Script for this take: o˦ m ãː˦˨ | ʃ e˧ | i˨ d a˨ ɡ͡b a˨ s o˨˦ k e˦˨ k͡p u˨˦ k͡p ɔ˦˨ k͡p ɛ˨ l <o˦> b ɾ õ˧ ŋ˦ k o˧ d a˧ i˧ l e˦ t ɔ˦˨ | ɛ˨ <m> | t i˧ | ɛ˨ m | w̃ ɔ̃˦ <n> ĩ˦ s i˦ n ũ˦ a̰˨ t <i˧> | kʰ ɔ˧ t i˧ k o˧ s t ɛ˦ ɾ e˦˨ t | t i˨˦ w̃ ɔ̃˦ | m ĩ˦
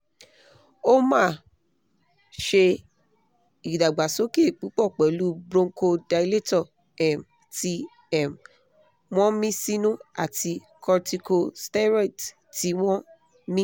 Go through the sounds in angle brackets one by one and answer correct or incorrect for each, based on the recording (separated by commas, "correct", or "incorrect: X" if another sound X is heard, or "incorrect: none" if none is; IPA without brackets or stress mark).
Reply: incorrect: u˦, correct, incorrect: m, correct